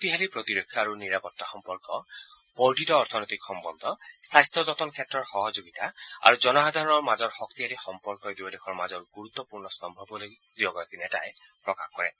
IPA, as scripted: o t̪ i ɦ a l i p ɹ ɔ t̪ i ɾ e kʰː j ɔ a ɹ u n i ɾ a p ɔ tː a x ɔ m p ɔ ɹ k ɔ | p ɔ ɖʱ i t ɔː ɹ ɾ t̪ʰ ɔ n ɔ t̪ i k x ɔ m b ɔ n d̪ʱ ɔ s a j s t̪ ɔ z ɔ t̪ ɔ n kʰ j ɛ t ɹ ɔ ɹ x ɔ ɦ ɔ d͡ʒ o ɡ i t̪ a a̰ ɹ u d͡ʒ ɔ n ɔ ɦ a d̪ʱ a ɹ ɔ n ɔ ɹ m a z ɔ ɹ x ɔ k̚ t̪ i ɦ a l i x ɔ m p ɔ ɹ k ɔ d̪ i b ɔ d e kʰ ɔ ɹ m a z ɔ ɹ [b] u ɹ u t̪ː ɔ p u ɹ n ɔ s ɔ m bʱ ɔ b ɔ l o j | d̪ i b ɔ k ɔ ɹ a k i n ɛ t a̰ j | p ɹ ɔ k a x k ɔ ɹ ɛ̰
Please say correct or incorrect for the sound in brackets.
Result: incorrect